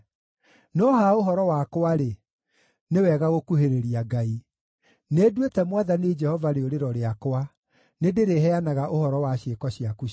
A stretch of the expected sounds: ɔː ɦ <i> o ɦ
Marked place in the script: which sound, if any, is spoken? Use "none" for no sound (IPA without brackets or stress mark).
a